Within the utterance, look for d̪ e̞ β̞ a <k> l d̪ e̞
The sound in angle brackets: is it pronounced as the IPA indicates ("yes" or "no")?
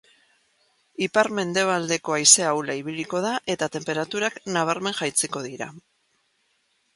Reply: no